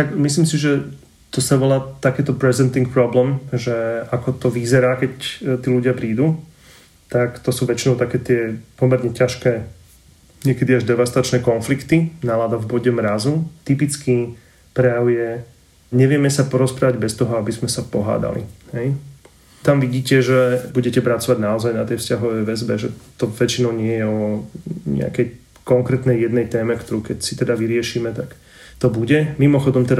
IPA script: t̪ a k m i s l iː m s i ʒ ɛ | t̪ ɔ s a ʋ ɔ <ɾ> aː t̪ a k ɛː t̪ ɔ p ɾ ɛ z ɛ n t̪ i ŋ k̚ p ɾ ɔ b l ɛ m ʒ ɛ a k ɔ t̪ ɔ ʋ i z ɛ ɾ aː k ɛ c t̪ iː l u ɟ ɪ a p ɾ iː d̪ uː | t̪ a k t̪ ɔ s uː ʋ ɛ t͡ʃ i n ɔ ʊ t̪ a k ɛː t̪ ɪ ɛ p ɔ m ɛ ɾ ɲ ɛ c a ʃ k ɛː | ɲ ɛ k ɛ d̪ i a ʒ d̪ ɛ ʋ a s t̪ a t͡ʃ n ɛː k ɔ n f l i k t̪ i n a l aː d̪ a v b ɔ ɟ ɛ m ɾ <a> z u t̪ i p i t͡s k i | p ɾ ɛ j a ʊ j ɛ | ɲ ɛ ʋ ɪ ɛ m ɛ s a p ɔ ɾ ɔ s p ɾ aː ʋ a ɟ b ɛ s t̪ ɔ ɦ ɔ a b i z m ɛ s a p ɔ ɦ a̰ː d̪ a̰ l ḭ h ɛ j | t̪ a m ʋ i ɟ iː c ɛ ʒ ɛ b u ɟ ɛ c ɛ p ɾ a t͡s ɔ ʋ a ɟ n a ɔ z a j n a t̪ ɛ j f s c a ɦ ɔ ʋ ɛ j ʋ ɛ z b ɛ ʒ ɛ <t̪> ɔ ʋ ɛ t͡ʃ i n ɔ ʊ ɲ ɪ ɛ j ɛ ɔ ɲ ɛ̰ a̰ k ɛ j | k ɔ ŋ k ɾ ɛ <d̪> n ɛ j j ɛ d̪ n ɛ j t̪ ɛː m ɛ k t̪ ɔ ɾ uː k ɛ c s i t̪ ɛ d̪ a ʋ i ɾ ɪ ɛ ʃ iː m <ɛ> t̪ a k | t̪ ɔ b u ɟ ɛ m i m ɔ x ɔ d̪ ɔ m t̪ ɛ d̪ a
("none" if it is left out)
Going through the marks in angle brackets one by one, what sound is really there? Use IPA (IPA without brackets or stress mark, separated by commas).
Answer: l, a, t̪, t̪, ɛ